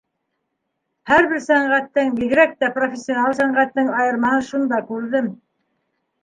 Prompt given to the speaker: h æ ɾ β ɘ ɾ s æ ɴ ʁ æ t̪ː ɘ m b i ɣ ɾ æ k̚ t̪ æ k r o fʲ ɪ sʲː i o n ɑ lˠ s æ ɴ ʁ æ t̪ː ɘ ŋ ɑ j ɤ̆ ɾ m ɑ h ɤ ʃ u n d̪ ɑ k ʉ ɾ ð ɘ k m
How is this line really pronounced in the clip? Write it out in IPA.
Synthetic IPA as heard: h æ ɾ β ɘ ɾ s æ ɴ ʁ æ t̪ː ɘ ŋ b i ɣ ɾ æ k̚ t̪ æ p r o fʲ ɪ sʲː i o n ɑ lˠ s æ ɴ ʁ æ t̪ː ɘ ŋ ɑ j ɤ̆ ɾ m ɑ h ɤ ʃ u n d̪ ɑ k ʉ ɾ ð ɘ m